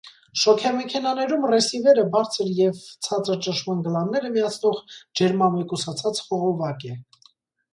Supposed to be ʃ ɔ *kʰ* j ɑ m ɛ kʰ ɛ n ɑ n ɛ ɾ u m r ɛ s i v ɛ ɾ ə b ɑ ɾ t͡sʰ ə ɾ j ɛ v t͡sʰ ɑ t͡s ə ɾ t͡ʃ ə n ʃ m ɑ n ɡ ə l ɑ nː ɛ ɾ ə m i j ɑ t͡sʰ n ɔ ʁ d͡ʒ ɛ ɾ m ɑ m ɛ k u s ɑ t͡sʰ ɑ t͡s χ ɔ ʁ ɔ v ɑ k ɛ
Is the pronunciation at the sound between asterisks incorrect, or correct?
correct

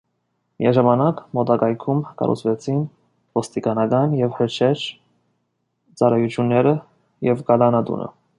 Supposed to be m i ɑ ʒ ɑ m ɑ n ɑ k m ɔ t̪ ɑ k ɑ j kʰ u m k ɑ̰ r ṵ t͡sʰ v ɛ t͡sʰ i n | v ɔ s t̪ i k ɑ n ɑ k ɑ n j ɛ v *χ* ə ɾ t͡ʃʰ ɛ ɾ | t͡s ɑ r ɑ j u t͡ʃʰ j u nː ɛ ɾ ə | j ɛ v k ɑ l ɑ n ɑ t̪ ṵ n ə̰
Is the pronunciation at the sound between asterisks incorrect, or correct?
incorrect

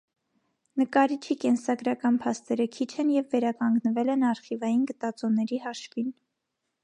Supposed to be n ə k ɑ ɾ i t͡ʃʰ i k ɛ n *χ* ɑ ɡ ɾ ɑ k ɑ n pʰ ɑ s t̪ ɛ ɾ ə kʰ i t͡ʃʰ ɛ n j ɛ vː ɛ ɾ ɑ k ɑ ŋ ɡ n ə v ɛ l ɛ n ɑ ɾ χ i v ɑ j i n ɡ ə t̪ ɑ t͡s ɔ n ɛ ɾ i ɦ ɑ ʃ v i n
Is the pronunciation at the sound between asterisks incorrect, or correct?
incorrect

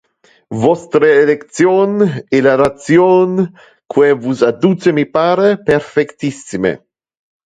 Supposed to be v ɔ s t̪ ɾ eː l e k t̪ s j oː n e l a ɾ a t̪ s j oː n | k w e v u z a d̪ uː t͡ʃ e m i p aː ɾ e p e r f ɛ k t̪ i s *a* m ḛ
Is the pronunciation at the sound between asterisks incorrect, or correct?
incorrect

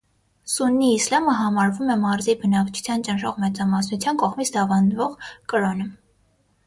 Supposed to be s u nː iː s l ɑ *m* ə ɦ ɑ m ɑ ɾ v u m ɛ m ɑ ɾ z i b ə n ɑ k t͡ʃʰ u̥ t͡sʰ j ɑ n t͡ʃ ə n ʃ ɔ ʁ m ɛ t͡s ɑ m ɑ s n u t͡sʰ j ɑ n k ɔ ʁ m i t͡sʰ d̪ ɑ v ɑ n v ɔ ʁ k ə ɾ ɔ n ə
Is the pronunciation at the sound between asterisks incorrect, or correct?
correct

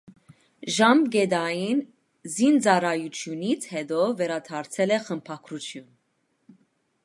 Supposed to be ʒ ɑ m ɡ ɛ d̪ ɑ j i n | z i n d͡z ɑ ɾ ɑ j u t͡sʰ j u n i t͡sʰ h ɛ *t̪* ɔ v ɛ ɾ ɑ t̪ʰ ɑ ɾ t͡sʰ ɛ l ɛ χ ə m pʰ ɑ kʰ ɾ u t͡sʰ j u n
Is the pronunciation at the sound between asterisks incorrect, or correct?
incorrect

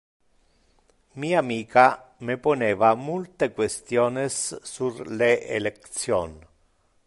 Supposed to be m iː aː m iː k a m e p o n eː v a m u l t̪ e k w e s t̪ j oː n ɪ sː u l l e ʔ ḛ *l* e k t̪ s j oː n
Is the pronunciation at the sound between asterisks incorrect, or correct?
correct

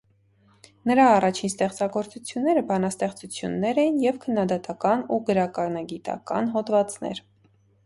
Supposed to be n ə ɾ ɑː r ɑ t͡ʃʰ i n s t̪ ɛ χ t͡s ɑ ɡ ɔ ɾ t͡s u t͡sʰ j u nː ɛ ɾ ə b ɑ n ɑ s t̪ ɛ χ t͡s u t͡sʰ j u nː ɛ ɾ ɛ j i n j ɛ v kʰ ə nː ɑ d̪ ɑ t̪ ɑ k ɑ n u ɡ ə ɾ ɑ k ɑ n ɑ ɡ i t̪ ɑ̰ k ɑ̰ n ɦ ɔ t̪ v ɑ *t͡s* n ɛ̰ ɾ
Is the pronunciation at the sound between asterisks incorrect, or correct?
correct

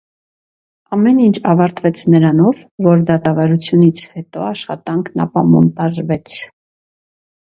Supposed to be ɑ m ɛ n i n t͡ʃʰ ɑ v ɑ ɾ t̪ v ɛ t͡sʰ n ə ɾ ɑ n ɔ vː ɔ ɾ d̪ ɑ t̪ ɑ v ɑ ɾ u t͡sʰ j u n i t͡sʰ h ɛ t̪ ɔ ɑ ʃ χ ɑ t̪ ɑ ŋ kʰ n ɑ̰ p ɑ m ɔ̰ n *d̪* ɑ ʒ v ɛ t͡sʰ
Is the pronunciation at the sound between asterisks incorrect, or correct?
incorrect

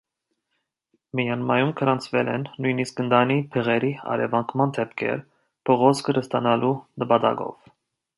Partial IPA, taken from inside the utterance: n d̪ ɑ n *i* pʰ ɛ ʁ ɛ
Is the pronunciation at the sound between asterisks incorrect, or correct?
correct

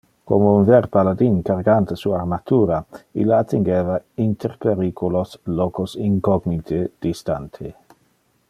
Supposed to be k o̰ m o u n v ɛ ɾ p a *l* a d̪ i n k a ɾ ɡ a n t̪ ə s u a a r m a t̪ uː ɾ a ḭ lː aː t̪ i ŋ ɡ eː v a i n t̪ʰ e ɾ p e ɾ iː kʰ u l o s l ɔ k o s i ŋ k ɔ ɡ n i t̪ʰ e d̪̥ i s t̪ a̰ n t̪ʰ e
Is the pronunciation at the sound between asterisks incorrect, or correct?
correct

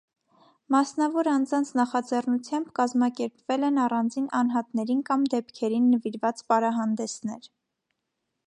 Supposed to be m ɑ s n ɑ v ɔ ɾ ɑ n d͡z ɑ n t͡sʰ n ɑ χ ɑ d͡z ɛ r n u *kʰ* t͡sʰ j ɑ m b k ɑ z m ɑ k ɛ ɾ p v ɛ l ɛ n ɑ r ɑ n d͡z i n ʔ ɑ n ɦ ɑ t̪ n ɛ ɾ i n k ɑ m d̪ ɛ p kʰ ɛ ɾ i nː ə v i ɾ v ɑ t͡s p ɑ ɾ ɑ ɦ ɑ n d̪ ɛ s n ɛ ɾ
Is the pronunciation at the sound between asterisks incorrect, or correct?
incorrect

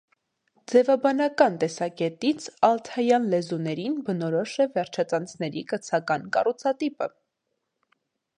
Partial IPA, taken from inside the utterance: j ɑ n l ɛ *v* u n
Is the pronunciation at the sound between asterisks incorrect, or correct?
incorrect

